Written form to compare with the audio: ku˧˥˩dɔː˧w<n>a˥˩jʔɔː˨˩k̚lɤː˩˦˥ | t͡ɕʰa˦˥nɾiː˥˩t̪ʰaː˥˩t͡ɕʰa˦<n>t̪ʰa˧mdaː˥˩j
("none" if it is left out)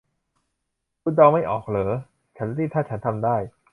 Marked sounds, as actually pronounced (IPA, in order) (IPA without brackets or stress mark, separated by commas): m, n